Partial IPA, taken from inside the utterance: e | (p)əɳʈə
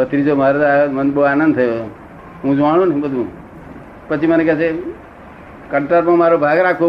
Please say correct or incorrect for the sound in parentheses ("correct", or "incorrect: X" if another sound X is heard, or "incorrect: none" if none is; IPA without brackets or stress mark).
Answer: incorrect: k